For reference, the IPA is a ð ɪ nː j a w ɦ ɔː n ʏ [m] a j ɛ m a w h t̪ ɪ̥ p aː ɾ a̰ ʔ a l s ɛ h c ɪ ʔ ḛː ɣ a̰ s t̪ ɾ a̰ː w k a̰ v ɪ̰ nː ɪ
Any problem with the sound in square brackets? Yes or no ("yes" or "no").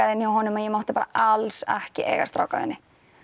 no